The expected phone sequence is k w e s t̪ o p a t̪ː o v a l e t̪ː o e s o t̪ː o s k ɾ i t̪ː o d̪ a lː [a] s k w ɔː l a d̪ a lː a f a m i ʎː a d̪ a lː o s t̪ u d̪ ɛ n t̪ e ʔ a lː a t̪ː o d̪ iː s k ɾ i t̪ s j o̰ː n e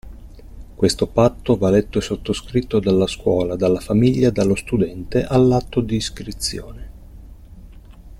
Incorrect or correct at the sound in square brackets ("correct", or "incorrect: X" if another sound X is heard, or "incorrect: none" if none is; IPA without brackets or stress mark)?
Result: correct